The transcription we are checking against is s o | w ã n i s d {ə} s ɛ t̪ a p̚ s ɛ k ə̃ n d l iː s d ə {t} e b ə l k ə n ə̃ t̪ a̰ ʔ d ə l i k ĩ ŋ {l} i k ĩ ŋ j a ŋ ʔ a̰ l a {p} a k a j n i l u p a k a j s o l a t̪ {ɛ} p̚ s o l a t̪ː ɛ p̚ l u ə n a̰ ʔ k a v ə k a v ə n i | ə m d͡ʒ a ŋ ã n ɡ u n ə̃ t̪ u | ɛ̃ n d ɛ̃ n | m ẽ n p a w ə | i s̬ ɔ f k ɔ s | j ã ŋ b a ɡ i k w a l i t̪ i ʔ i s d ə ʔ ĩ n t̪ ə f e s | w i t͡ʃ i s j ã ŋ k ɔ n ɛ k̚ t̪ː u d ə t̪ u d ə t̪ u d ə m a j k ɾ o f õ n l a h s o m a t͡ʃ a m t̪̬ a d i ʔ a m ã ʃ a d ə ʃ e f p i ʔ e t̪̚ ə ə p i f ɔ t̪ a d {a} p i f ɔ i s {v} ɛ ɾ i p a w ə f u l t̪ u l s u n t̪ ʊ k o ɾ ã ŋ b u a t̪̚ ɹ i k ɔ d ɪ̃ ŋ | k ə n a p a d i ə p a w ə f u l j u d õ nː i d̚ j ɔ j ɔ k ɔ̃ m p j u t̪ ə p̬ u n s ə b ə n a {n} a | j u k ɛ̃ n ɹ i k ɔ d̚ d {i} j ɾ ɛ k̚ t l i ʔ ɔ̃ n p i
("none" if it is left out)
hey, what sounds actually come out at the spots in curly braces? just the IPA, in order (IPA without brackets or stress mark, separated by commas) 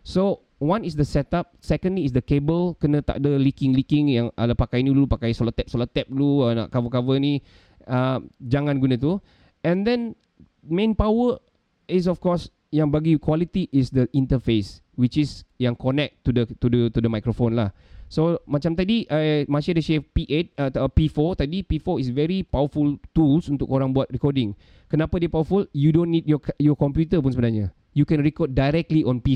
ə, k, l, p, ɛ, i, v, ɲ, a